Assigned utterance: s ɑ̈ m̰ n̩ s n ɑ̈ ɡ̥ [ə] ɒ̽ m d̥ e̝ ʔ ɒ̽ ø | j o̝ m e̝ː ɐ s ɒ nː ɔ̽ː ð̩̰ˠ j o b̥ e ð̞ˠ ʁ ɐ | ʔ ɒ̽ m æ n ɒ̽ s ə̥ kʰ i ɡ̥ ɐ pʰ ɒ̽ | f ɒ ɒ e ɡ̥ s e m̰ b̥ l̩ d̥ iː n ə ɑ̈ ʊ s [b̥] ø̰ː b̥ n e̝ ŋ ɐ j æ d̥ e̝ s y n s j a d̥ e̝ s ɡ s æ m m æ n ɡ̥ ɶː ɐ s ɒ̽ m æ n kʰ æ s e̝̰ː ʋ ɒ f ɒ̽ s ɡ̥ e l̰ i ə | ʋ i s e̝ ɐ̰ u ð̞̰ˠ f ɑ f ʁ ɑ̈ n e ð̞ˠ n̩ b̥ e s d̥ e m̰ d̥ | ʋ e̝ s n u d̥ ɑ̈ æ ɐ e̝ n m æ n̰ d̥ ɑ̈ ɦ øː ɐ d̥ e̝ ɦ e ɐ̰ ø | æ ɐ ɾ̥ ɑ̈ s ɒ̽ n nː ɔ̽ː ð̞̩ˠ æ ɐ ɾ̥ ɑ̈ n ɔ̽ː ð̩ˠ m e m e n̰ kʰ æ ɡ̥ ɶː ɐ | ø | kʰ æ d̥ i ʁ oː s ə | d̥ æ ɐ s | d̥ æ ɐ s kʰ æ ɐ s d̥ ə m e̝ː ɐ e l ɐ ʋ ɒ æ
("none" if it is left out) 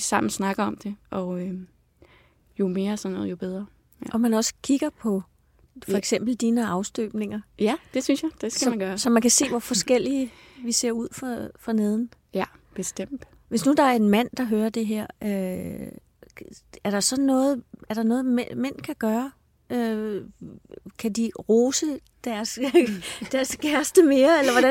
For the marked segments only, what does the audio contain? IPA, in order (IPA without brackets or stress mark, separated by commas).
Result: ɐ, d̥